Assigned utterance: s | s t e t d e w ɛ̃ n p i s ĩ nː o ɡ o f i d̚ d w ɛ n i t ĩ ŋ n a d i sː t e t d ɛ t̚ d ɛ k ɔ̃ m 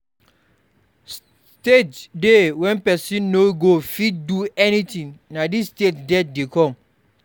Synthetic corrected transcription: s | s t e t d e w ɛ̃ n p ɛ s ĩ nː o ɡ o f i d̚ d u ɛ n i t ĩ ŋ n a d i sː t e t d ɛ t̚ d e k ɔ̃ m